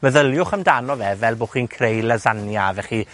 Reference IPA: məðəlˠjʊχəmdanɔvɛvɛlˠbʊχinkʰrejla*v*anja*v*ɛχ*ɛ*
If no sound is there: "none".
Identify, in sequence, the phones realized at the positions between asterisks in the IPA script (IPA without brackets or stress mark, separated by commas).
z, v, i